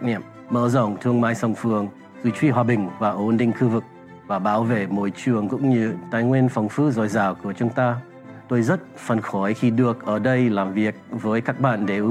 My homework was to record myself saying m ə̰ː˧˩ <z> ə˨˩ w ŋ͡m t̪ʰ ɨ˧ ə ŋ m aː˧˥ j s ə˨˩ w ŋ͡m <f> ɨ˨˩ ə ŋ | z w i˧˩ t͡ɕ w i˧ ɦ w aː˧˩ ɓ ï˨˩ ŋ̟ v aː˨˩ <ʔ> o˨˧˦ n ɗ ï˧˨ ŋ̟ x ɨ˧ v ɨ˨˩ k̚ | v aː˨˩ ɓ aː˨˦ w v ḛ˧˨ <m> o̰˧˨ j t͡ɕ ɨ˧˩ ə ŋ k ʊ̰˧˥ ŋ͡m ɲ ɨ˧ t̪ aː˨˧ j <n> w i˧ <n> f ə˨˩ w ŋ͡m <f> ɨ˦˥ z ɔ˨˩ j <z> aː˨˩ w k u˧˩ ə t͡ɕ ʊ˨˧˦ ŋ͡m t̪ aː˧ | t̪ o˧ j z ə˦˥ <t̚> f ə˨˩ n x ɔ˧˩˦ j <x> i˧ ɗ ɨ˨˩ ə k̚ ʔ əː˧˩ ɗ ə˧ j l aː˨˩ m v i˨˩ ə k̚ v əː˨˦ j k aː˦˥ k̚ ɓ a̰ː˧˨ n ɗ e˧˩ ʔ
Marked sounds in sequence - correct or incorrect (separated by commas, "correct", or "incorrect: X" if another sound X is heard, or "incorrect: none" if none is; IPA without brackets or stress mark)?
correct, correct, correct, correct, incorrect: ŋ, correct, correct, correct, correct, correct